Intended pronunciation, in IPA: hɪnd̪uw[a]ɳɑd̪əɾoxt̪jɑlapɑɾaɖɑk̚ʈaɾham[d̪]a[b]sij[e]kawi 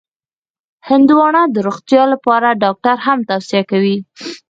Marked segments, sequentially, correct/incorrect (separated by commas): incorrect, incorrect, incorrect, incorrect